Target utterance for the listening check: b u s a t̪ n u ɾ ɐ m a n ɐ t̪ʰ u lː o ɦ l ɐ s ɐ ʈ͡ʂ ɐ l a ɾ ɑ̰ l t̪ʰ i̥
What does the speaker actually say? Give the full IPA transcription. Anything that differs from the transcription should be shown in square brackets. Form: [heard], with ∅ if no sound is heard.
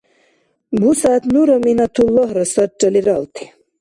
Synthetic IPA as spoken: b u s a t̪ n u ɾ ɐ m [i] n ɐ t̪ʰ u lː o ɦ [ɾ] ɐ s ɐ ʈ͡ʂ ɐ l [i] ɾ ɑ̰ l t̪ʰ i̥

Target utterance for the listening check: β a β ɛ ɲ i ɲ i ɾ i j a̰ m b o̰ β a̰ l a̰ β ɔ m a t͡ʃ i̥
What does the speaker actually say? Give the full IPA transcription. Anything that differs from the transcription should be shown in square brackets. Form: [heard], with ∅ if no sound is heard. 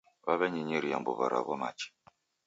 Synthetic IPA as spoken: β a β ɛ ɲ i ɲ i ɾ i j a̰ m b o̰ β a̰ [ɾ] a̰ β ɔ m a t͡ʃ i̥

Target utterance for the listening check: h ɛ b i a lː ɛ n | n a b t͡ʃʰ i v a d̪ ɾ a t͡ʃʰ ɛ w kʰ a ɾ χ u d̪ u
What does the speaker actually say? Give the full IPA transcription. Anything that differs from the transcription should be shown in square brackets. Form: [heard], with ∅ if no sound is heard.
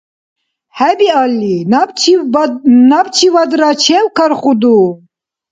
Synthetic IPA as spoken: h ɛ b i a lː [i] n | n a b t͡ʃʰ i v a d̪ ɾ a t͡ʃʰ ɛ w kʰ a ɾ χ u d̪ u

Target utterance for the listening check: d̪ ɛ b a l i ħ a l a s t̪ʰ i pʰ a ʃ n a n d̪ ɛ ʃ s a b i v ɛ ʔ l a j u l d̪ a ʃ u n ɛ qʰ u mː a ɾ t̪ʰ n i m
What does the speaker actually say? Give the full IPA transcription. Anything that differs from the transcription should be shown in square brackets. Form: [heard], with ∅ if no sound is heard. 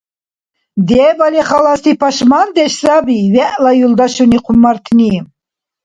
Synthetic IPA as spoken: d̪ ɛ b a l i [χ] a l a s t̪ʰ i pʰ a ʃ [m] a n d̪ ɛ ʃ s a b i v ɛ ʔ l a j u l d̪ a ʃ u n [i] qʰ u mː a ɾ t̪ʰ n i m

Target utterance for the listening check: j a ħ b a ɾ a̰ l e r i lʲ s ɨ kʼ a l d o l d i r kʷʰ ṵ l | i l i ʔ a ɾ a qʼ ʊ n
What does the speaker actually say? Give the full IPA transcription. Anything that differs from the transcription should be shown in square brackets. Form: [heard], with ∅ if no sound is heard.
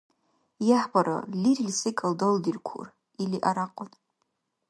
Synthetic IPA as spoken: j a ħ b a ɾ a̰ l [i] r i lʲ s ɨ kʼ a l d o l d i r kʷʰ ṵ [r] | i l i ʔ a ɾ a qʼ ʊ n

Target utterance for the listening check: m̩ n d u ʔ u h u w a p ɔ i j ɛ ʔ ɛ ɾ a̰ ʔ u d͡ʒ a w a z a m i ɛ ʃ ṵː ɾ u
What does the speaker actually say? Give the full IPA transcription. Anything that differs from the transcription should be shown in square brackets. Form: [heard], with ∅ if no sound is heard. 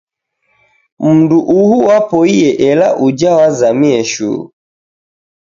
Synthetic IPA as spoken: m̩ n d u ʔ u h u w a p ɔ i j ɛ ʔ ɛ [l] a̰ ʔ u d͡ʒ a w a z a m i ɛ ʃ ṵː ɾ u

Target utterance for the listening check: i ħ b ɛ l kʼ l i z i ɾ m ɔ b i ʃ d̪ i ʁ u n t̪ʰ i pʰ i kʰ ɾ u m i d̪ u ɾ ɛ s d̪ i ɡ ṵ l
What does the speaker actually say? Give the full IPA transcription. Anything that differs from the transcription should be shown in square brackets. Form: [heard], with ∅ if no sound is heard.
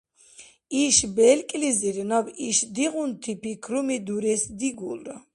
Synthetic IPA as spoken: i [ʃ] b ɛ l kʼ l i z i ɾ [n] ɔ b i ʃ d̪ i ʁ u n t̪ʰ i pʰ i kʰ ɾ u m i d̪ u ɾ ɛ s d̪ i ɡ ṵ l

